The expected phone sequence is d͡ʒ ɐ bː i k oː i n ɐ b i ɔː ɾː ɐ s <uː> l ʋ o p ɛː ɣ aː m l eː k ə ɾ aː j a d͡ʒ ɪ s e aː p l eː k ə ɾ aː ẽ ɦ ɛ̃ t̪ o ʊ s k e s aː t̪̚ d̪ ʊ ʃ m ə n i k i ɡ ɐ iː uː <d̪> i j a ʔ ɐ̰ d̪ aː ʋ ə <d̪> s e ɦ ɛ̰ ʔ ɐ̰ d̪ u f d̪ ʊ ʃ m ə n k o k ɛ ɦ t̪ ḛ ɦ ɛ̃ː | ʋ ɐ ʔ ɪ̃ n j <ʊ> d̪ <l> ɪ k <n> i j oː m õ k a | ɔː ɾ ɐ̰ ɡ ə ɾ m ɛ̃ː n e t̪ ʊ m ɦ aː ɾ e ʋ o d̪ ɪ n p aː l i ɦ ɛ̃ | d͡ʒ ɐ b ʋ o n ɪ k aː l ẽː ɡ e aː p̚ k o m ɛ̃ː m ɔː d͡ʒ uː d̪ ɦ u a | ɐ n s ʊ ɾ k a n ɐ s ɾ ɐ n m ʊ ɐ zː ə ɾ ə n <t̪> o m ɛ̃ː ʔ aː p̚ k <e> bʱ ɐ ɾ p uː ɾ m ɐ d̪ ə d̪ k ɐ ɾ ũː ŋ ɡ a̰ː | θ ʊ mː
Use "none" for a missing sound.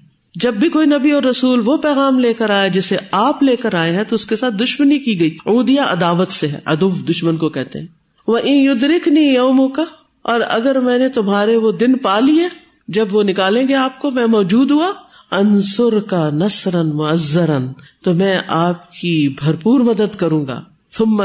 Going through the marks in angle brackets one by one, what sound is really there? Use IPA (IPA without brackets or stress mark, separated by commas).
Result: uː, d̪, t̪, ʊ, ɾ, n, t̪, i